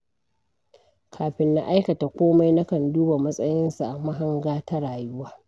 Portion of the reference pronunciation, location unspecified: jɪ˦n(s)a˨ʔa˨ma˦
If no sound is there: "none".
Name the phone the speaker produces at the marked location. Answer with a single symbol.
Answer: s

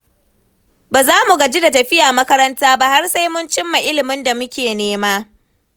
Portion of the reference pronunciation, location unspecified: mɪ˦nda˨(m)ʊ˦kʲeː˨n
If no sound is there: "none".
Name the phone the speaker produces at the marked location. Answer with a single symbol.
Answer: m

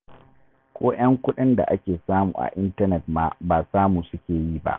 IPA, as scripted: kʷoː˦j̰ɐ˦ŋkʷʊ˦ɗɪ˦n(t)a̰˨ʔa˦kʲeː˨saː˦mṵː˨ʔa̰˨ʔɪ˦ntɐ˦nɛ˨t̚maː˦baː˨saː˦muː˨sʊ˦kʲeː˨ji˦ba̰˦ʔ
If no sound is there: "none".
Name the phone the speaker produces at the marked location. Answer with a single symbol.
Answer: d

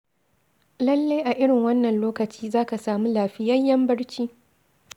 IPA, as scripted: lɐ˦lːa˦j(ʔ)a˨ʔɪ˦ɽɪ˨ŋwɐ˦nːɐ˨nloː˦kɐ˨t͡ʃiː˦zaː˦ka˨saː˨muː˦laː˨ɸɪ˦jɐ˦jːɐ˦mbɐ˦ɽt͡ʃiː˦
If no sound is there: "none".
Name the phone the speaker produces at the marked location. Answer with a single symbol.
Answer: ʔ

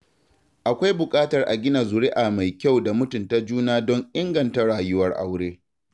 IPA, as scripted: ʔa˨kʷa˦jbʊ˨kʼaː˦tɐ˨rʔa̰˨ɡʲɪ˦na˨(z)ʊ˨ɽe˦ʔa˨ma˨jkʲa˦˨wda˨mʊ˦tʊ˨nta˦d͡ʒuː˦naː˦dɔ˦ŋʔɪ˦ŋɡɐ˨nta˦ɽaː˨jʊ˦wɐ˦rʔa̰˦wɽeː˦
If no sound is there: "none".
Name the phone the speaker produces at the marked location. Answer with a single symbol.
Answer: z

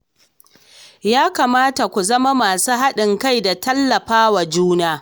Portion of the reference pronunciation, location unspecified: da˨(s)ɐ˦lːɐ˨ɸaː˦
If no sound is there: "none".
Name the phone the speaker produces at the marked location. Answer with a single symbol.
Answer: t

